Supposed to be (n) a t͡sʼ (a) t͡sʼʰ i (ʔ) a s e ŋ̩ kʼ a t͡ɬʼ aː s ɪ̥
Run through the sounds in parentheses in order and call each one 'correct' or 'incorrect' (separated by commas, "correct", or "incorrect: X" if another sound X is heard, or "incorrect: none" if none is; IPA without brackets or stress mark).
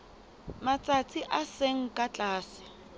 incorrect: m, correct, correct